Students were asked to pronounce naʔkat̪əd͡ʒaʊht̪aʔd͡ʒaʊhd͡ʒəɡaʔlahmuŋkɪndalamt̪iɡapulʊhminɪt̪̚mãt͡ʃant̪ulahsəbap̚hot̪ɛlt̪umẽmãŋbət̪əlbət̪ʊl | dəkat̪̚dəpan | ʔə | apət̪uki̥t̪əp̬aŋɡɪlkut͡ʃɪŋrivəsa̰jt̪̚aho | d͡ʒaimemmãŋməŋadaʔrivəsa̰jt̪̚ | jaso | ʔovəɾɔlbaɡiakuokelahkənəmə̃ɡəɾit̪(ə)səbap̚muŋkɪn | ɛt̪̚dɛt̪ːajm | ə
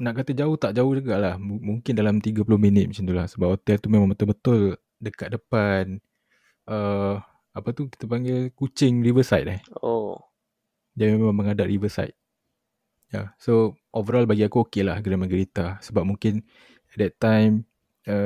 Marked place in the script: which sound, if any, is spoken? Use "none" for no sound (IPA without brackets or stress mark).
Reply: a